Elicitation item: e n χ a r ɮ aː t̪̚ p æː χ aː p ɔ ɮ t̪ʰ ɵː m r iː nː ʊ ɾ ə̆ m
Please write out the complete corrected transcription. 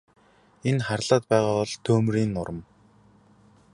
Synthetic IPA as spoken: e n χ a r ɮ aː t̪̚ p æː ʁ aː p ɔ ɮ t̪ʰ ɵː m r iː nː ʊ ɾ ə̆ m